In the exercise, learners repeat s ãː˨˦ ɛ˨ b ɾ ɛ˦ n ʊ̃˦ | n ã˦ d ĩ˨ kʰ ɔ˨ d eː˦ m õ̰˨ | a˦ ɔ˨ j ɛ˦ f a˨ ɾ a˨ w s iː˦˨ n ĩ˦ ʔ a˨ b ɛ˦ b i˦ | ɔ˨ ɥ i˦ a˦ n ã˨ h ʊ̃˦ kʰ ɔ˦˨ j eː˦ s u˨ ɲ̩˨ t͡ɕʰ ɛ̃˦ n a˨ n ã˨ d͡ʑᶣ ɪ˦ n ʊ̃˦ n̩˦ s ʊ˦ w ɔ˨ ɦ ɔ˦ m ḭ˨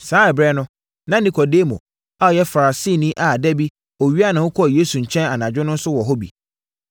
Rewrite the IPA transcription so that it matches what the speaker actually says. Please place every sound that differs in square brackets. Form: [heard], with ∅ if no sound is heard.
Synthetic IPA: s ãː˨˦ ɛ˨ b ɾ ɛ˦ n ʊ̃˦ | n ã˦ [n] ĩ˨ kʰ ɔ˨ d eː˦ m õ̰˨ | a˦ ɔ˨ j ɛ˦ f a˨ ɾ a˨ [∅] s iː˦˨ n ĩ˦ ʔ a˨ [d] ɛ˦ b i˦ | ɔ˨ ɥ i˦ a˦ n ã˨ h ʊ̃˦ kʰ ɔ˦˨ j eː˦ s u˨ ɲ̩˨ t͡ɕʰ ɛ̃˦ n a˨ n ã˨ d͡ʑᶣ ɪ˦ n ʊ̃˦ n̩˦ s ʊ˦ w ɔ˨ ɦ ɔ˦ [b] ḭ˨